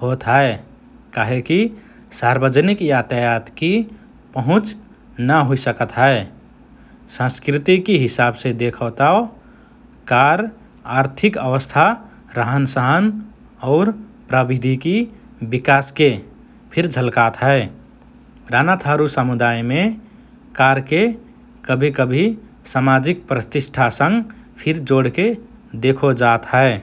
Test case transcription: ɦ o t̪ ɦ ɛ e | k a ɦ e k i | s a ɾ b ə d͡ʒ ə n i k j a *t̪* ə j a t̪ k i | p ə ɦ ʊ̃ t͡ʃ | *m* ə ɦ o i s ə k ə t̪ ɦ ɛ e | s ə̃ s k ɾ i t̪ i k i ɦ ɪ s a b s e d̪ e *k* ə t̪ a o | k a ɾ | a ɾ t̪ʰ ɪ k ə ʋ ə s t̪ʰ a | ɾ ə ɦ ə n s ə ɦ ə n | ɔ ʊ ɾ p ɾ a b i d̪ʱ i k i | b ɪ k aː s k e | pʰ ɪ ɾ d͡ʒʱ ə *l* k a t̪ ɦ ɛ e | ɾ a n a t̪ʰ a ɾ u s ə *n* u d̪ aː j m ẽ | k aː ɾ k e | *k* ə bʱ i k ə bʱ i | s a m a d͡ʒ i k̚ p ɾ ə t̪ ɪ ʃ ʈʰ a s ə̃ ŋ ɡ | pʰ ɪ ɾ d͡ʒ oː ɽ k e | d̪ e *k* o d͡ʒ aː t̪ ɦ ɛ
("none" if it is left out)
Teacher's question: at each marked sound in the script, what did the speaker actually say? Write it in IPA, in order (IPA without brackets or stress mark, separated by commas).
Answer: t̪, n, kʰ, l, m, k, kʰ